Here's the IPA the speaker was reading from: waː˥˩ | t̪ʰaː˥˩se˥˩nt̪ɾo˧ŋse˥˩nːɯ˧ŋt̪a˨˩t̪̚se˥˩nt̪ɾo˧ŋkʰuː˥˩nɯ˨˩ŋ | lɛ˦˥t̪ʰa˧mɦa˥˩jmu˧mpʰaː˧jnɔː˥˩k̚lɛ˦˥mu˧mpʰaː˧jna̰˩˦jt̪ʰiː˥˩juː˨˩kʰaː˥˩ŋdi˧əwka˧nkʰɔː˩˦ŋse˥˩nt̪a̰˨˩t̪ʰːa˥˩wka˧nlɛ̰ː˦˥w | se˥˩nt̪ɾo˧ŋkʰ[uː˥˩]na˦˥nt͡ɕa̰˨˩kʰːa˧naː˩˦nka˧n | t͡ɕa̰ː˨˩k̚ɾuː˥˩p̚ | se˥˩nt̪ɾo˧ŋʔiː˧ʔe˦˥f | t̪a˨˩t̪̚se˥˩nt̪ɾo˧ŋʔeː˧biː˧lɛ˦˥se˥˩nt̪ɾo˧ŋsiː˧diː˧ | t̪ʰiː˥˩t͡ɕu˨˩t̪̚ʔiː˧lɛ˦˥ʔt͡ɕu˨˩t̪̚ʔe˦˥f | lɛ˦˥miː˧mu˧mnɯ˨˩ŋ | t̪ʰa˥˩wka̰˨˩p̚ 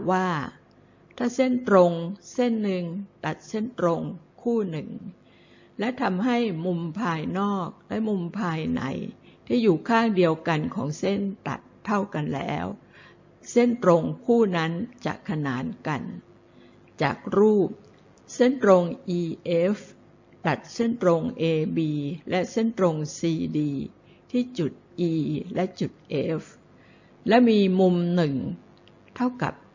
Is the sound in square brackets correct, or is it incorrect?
correct